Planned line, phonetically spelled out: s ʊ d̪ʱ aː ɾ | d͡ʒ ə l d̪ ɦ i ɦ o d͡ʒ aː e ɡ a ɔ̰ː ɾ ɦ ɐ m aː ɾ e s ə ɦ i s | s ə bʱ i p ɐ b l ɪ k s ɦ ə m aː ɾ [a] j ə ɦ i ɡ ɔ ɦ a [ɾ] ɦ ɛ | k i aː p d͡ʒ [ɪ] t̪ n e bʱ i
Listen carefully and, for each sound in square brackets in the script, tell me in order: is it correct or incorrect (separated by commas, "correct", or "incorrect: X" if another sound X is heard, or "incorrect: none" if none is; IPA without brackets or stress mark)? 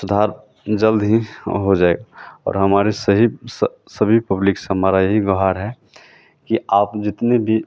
correct, correct, correct